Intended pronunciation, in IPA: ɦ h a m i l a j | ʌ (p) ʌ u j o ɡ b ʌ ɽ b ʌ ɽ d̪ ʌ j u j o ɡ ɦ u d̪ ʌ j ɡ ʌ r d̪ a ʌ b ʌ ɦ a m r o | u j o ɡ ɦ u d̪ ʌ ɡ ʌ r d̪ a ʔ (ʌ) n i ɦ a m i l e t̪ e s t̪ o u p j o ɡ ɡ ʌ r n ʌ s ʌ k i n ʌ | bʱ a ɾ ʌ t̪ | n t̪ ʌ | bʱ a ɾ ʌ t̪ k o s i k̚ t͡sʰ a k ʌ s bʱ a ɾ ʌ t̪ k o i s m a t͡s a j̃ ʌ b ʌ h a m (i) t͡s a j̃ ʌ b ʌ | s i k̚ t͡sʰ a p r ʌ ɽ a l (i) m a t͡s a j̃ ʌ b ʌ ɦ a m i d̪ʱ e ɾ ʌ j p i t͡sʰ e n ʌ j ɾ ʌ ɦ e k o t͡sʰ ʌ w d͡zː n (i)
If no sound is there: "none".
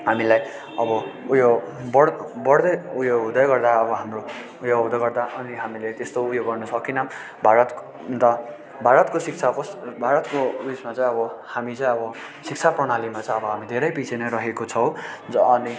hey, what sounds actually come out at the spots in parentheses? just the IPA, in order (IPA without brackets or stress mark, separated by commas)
b, ʌ, i, i, i